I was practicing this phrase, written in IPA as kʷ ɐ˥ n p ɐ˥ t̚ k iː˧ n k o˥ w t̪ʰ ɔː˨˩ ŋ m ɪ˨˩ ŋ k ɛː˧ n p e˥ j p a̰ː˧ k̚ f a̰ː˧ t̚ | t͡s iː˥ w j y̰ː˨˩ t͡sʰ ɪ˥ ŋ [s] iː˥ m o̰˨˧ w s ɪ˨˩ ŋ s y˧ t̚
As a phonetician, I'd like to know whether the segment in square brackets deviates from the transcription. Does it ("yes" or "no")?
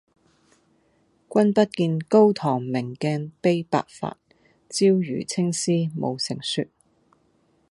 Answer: no